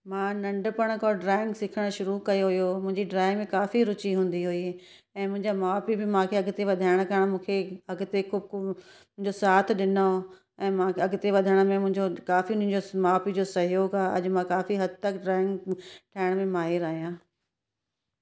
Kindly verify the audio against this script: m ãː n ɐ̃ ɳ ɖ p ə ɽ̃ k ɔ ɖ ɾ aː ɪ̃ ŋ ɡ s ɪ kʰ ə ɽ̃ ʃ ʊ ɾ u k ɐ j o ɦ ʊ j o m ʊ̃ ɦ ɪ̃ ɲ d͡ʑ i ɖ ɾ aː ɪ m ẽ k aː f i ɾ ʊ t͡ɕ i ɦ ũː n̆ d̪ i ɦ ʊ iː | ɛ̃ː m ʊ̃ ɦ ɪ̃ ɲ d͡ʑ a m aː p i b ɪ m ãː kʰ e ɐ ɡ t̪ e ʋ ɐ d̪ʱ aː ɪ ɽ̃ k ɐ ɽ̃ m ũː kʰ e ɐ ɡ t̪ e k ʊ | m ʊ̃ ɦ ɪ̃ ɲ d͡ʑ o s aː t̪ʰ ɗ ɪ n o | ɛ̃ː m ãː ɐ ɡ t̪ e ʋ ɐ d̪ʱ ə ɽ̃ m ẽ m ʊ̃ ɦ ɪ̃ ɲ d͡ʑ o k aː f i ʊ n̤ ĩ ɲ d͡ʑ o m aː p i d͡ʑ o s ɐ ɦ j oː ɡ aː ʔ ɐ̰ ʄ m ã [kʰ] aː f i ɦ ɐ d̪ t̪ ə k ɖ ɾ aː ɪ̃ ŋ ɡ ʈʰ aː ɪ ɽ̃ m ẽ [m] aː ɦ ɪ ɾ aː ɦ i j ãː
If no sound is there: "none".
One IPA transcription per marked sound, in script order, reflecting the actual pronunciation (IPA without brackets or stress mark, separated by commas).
k, m